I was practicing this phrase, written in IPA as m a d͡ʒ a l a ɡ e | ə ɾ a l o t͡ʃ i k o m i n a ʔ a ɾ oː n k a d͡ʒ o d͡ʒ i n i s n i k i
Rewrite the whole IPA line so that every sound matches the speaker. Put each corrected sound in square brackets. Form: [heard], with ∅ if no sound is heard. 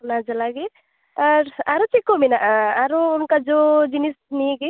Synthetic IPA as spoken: [n] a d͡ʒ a l a ɡ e | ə ɾ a [ɾ] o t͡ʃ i k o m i n a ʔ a ɾ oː n k a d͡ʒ o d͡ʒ i n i s n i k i